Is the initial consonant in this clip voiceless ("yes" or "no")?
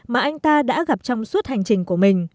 no